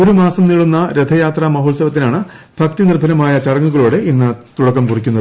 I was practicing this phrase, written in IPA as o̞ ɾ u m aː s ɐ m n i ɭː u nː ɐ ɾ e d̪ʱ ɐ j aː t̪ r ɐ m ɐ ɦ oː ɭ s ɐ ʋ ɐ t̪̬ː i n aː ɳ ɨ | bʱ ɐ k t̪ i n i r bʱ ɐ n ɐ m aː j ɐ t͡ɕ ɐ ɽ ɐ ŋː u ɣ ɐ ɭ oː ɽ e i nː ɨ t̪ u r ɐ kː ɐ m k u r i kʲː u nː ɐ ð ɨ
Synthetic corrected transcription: o̞ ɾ u m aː s ɐ m n i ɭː u nː ɐ ɾ e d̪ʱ ɐ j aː t̪ r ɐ m ɐ ɦ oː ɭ s ɐ ʋ ɐ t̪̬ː i n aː ɳ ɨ | bʱ ɐ k t̪ i n i r bʱ ɐ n ɐ m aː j ɐ t͡ɕ ɐ ɽ ɐ ŋː u ɣ ɐ ɭ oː ɽ e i nː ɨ t̪ u ɽ ɐ kː ɐ m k u r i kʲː u nː ɐ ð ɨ